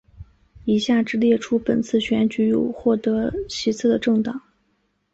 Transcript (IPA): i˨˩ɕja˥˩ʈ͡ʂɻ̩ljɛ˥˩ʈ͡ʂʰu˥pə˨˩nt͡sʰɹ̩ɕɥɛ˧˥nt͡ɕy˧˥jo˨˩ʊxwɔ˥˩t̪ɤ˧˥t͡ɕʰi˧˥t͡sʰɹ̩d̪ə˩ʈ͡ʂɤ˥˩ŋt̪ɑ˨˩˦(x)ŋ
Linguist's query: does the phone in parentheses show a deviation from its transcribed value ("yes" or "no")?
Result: yes